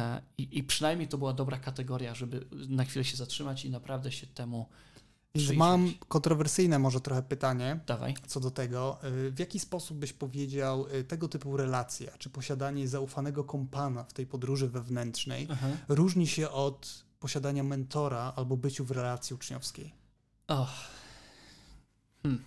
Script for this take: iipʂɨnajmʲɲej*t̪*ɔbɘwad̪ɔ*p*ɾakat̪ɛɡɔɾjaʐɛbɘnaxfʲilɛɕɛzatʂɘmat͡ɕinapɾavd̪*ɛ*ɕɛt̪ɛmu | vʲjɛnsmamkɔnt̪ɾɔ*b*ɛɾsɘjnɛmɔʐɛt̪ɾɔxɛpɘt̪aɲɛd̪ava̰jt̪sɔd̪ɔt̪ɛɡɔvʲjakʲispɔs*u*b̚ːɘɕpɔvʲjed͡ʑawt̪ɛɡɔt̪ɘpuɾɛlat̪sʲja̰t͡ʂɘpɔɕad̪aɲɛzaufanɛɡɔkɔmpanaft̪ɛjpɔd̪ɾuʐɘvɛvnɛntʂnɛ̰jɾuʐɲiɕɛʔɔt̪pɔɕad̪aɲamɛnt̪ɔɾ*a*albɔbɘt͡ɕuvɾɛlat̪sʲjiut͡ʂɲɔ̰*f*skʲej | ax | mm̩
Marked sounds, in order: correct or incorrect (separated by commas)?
correct, incorrect, correct, incorrect, correct, correct, correct